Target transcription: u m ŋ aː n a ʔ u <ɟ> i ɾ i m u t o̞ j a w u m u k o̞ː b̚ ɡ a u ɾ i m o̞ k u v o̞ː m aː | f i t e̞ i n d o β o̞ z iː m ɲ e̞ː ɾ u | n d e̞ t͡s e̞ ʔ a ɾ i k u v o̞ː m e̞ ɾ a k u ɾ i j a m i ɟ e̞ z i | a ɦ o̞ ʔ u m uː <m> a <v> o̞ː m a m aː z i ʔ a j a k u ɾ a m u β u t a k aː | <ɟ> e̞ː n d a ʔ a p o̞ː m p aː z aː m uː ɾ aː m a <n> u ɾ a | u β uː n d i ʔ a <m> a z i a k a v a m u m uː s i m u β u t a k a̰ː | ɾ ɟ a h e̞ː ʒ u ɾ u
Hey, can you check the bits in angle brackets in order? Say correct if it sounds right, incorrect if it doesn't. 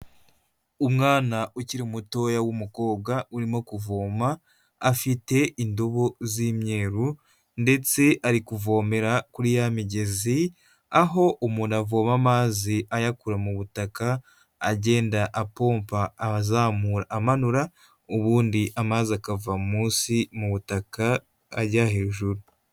incorrect, incorrect, correct, correct, correct, correct

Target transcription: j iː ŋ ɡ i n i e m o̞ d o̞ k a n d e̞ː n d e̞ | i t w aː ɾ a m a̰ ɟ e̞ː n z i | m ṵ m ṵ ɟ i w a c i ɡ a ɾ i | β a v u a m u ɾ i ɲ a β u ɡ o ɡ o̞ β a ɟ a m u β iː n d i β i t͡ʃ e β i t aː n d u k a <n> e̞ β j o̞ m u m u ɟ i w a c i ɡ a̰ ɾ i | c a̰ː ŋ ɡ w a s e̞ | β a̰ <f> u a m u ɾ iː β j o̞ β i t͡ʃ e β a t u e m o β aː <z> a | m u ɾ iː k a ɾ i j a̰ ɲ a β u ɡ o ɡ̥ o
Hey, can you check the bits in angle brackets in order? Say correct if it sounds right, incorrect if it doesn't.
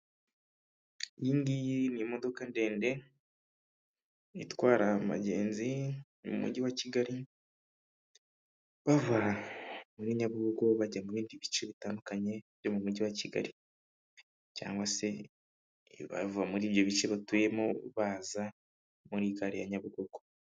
incorrect, incorrect, correct

